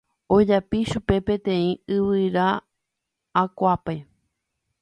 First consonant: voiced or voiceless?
voiced